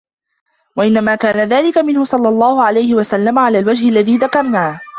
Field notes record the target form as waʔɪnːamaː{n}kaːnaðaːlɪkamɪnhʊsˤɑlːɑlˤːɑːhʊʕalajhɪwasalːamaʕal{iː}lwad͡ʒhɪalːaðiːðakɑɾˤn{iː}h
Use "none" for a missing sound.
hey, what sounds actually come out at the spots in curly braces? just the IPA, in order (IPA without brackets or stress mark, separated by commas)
none, aː, aː